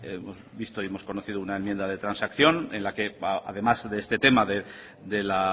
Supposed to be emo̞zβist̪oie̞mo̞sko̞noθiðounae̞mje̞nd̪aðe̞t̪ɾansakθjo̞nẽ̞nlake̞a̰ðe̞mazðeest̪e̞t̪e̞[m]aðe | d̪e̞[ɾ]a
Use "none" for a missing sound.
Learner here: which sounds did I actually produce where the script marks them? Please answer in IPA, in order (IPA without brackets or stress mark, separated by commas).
m, l